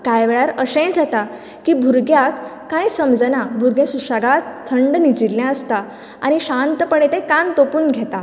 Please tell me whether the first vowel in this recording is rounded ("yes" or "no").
no